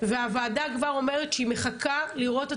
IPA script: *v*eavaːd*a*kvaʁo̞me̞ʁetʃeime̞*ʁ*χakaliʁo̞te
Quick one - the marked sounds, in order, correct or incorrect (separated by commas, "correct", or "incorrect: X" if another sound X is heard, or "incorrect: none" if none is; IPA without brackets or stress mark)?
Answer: correct, correct, incorrect: none